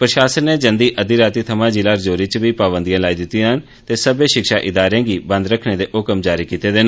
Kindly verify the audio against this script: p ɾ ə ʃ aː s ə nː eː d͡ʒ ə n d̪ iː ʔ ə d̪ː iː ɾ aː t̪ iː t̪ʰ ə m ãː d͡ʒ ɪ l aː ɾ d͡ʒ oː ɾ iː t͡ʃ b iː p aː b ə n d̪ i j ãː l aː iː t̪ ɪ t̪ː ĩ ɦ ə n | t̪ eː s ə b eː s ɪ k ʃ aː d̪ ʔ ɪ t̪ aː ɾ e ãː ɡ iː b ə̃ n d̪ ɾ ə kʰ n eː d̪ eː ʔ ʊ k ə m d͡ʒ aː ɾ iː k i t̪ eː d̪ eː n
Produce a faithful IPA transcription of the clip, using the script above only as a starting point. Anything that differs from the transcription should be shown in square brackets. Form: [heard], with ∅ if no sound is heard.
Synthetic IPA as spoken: p ɾ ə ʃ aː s ə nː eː d͡ʒ ə n d̪ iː ʔ ə [d̪] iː ɾ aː t̪ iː t̪ʰ ə m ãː d͡ʒ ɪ l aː ɾ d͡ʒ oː ɾ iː t͡ʃ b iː p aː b ə n d̪ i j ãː l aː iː [d̪] ɪ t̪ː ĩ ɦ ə n | t̪ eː s ə b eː [ʃ] ɪ k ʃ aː [∅] ʔ ɪ [d̪] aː ɾ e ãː ɡ iː b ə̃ n d̪ ɾ ə kʰ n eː d̪ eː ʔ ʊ k ə m d͡ʒ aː ɾ iː k [iː] t̪ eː d̪ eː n